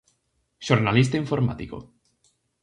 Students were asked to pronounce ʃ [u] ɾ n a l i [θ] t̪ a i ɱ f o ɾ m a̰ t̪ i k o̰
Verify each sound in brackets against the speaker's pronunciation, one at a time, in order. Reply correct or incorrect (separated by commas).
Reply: incorrect, incorrect